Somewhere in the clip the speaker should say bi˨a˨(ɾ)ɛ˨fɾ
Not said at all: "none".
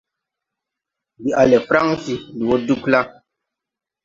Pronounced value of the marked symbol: l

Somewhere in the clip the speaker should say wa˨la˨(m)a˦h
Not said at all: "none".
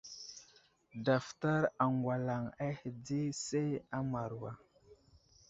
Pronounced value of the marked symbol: ŋ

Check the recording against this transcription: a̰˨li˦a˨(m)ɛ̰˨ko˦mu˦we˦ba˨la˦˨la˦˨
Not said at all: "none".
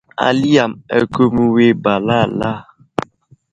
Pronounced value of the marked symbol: m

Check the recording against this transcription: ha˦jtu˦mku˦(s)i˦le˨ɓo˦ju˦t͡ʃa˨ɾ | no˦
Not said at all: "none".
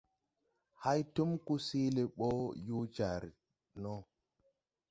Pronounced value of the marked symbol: s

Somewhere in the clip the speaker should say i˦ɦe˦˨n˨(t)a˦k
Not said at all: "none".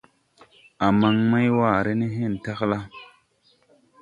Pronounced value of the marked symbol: t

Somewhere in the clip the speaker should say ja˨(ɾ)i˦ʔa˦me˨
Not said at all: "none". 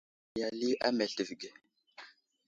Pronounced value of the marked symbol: l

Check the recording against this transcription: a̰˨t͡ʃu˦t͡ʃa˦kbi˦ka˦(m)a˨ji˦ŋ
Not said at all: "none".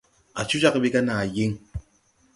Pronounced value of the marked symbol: n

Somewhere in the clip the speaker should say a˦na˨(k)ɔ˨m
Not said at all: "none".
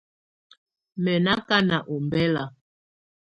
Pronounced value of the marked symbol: ʔ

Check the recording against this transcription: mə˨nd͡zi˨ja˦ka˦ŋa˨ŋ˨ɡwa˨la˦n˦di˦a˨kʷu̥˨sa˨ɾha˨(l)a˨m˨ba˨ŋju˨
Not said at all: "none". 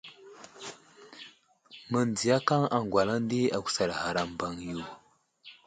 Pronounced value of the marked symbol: ɾ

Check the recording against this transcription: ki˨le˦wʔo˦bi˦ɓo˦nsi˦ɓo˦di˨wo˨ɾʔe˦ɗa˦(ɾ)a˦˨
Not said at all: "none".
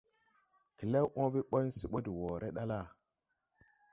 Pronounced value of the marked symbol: l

